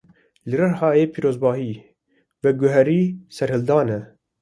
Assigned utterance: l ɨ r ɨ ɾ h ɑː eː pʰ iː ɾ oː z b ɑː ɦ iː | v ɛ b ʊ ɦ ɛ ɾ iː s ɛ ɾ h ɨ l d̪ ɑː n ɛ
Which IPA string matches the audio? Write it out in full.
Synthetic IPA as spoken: l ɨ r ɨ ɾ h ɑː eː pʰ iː ɾ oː z b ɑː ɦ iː | v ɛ ɡ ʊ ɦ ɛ ɾ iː s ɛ ɾ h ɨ l d̪ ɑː n ɛ